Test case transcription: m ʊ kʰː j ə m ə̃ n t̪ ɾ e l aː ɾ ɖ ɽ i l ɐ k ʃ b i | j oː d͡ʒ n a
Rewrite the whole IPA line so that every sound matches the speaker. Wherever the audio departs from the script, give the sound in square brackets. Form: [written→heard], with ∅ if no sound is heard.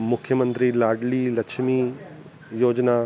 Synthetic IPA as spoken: m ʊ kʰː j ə m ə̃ n t̪ ɾ [e→i] l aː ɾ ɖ [ɽ→l] i l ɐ k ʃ [b→m] i | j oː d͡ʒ n a